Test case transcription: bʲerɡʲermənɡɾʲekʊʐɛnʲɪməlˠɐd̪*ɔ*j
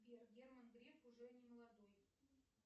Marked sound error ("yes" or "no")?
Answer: yes